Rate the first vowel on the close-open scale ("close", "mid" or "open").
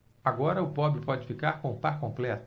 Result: open